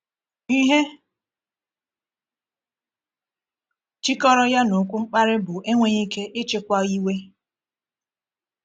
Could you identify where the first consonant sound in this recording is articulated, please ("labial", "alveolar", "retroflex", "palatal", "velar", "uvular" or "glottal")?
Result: glottal